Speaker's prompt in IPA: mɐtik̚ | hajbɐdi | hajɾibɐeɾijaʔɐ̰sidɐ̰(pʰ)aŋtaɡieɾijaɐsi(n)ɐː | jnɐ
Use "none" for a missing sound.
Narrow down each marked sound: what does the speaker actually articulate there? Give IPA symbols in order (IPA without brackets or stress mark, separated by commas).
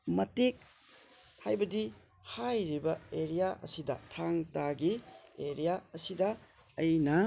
tʰ, d